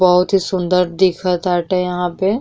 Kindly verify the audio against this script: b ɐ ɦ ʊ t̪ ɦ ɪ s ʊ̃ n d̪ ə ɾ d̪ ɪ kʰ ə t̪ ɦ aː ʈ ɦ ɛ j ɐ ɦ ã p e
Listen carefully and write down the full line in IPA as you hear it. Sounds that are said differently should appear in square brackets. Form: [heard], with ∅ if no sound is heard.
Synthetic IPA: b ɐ ɦ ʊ t̪ ɦ [i] s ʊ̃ n d̪ ə ɾ d̪ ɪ kʰ ə t̪ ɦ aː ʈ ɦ ɛ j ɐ ɦ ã p e

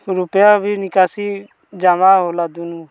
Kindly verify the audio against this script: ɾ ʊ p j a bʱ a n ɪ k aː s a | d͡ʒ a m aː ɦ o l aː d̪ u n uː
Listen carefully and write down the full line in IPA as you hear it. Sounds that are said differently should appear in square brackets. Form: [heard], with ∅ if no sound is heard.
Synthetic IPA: ɾ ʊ p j a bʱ [i] n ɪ k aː s [i] | d͡ʒ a m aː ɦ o l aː d̪ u n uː

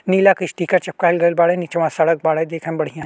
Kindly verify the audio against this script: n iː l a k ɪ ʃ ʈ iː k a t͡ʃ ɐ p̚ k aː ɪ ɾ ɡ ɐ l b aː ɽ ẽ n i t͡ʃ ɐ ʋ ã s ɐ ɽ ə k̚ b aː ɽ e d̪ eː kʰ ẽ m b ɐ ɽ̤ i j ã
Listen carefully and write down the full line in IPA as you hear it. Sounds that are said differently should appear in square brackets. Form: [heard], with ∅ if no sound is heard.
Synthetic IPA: n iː l a k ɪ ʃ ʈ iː k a t͡ʃ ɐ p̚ k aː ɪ [l] ɡ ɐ l b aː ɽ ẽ n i t͡ʃ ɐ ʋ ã s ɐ ɽ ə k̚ b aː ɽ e d̪ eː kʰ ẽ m b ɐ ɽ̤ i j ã

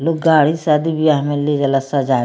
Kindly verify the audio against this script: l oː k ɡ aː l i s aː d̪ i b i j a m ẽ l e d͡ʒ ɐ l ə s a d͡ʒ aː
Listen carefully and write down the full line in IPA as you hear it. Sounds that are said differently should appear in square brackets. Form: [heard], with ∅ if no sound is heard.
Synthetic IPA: l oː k ɡ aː [ɽ] i s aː d̪ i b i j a m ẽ l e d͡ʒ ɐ l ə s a d͡ʒ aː

